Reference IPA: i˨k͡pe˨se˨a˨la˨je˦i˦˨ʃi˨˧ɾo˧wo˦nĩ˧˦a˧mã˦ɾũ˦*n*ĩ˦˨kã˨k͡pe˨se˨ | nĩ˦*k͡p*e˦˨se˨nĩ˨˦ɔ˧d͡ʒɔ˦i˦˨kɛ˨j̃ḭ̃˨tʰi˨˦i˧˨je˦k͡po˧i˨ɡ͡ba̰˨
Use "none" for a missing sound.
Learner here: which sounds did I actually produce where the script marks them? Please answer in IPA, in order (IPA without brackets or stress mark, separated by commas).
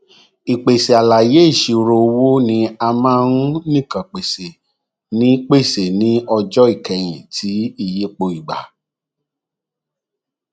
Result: n, k͡p